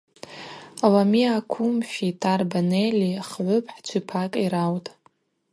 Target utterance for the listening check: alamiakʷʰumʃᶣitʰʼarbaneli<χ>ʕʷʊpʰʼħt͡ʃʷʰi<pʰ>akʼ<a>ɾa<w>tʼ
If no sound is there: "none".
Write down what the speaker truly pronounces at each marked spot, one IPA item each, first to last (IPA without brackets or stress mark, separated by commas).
χ, pʰ, i, w